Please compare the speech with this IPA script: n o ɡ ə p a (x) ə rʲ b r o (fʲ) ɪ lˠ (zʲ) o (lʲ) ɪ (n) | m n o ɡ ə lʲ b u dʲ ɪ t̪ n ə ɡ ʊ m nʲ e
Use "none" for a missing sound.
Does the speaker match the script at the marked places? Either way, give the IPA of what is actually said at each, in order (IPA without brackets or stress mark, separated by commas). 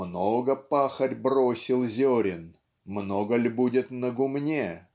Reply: x, sʲ, zʲ, ɾʲ, n